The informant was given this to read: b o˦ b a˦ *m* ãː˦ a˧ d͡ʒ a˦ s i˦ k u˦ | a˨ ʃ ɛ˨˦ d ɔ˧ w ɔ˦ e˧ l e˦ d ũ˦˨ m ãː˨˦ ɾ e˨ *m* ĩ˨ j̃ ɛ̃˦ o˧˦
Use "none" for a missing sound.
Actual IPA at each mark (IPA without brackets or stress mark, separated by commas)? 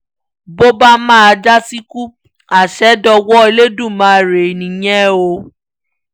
m, n